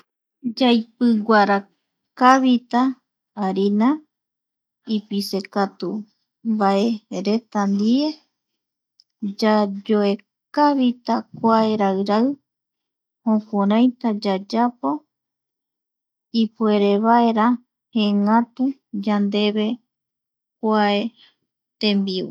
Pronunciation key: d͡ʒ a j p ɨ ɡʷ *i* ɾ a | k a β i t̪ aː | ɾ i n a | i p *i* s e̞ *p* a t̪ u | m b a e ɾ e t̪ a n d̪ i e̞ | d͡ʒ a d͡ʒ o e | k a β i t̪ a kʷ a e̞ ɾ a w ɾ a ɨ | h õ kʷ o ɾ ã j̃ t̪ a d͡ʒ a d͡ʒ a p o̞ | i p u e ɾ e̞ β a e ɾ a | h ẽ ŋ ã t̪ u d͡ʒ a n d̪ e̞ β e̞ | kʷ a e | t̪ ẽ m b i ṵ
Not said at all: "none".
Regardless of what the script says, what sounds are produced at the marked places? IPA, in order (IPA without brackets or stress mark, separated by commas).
a, i, k